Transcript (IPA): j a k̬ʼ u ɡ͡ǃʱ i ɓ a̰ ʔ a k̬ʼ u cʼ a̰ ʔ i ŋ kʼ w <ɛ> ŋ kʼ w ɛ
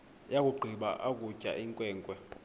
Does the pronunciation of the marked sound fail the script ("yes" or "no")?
yes